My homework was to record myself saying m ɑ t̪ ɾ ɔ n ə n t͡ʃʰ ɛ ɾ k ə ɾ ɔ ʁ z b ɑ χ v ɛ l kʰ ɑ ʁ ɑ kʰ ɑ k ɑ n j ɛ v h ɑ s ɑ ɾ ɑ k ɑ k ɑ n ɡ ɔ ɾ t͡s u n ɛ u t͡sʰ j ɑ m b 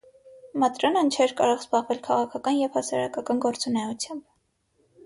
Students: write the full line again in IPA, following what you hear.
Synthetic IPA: m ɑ t̪ ɾ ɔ n ə n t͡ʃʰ ɛ ɾ k ɑ ɾ ɔ ʁ z b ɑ ʁ v ɛ l kʰ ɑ ʁ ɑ kʰ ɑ k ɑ n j ɛ v h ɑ s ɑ ɾ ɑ k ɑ k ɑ n ɡ ɔ ɾ t͡s u n ɛ u t͡sʰ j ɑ m b